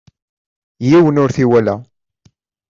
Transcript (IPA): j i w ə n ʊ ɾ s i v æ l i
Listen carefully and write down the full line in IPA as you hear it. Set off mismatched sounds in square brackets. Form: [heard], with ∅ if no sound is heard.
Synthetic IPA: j i w ə n ʊ ɾ [θ] i [w] æ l [æ]